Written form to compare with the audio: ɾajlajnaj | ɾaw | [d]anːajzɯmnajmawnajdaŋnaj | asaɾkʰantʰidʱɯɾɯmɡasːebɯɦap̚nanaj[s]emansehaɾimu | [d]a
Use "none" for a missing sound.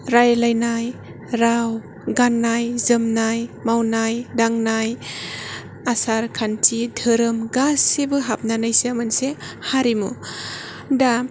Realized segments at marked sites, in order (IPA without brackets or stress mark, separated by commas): ɡ, s, d